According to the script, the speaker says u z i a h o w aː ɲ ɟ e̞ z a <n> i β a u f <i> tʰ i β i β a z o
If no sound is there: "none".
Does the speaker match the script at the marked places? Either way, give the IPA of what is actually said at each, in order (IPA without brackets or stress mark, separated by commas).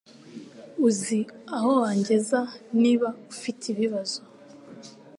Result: n, i